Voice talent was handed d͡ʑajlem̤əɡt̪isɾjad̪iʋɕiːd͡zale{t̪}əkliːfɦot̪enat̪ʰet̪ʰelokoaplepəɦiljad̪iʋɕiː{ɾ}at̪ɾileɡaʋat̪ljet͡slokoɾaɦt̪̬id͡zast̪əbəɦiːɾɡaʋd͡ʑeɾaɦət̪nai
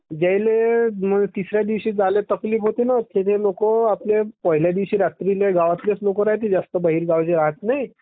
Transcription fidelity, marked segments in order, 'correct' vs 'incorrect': correct, correct

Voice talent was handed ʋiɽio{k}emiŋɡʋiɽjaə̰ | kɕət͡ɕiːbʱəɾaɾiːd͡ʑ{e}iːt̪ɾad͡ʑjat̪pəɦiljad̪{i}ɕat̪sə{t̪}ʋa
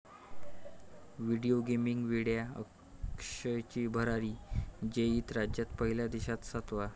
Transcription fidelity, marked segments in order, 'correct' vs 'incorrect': incorrect: ɡ, correct, correct, correct

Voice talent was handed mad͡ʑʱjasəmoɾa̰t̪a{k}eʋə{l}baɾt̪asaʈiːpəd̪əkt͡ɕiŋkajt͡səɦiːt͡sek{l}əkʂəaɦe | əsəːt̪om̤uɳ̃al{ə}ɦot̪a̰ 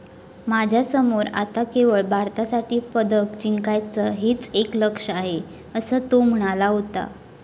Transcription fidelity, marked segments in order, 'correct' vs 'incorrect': correct, incorrect: ɭ, correct, incorrect: a

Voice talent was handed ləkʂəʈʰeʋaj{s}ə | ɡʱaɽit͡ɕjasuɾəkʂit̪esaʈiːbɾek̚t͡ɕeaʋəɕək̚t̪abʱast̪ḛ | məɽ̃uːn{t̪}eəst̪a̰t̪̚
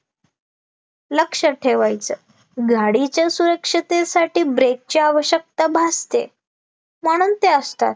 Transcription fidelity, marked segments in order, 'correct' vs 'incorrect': incorrect: t͡s, correct

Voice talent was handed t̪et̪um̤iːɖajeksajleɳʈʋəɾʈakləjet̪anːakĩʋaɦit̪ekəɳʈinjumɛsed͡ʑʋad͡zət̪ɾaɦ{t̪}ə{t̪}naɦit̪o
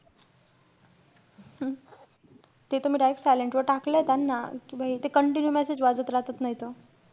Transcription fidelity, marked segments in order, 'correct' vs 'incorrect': correct, correct

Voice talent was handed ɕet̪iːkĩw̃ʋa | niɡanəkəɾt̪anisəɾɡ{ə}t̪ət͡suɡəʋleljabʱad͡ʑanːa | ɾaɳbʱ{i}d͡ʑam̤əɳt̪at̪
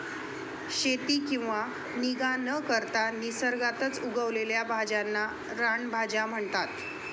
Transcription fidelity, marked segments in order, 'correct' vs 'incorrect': incorrect: a, incorrect: a

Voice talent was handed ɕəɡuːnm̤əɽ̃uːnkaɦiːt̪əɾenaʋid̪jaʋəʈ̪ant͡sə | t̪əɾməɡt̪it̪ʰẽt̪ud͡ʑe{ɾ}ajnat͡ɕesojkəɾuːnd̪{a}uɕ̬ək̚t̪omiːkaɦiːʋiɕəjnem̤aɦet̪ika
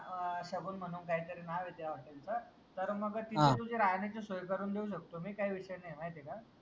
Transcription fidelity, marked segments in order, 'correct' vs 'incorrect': correct, incorrect: e

